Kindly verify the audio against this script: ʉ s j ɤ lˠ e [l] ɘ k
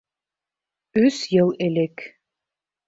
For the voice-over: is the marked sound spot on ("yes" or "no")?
yes